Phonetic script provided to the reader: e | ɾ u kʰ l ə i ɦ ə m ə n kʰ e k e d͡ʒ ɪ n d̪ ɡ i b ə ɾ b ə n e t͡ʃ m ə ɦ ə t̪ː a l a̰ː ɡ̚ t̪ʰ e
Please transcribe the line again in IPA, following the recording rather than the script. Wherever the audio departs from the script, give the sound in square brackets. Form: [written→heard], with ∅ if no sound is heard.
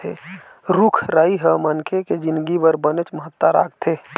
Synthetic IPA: e | ɾ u kʰ [l→ɾ] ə i ɦ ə m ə n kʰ e k e d͡ʒ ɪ n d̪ ɡ i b ə ɾ b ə n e t͡ʃ m ə ɦ ə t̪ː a [l→ɾ] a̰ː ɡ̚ t̪ʰ e